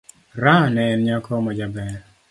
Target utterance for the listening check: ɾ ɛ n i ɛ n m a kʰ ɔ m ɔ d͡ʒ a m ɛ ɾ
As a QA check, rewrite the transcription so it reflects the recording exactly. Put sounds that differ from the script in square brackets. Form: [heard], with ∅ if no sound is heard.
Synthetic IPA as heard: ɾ [a] n [ɛ] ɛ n [ɲ] a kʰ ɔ m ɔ d͡ʒ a [b] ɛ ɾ